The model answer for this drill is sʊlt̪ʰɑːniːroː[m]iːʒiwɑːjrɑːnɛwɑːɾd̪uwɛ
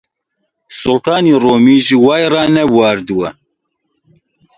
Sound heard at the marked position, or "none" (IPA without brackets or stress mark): m